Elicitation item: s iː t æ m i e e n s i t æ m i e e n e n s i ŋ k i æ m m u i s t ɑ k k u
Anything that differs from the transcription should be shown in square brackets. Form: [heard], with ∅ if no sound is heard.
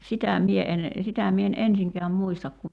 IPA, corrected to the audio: s [i] t æ m i e e n s i t æ m i e e n e n s i ŋ k [e] æ m m u i s t ɑ k k u